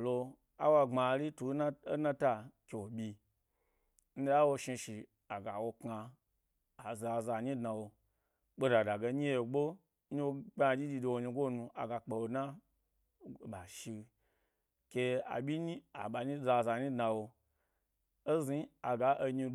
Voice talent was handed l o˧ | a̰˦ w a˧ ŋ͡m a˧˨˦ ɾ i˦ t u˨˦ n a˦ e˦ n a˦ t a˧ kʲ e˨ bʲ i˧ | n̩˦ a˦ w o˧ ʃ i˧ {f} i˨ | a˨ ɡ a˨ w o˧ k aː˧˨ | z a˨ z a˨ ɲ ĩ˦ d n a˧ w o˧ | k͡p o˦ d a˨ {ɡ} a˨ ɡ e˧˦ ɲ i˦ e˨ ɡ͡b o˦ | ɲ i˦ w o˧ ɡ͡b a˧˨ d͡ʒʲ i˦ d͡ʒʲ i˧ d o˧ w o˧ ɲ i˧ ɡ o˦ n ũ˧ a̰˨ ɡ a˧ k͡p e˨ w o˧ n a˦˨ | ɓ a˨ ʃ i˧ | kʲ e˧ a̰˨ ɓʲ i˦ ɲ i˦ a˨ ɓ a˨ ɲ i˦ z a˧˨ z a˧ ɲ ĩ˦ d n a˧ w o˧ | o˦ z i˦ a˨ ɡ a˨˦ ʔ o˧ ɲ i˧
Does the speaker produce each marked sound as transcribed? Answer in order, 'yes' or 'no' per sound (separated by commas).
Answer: no, no